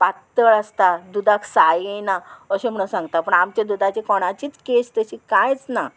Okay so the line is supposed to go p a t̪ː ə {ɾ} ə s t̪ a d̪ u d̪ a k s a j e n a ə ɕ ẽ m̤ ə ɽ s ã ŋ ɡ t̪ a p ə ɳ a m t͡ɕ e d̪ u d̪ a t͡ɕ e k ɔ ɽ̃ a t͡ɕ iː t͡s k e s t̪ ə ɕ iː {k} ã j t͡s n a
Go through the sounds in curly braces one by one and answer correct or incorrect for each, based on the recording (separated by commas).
incorrect, correct